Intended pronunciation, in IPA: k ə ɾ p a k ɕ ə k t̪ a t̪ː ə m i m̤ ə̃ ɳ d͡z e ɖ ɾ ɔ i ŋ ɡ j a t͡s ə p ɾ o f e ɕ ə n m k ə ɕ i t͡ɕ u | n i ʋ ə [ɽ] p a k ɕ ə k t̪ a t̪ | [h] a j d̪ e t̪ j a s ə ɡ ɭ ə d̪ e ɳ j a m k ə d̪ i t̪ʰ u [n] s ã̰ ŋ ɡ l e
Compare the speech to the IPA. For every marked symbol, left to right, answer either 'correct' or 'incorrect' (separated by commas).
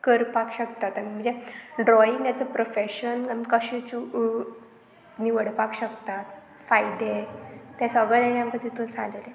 correct, incorrect, correct